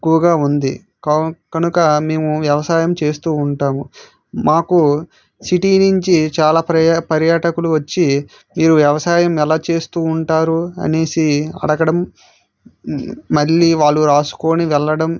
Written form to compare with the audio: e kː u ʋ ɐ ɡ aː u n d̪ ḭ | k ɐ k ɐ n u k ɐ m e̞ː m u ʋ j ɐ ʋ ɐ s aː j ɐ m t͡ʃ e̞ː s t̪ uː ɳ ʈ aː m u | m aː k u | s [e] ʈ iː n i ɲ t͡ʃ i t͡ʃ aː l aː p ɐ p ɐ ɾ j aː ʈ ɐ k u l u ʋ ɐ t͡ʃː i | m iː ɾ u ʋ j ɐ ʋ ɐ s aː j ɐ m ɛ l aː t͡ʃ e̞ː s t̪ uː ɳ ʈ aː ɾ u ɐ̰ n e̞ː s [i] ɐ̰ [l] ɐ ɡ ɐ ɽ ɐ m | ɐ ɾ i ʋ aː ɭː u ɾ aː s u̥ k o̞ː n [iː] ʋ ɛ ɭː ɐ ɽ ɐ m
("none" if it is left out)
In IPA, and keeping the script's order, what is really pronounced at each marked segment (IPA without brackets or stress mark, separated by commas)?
i, i, ɽ, i